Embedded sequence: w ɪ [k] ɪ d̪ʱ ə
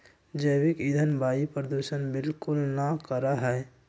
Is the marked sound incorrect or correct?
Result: correct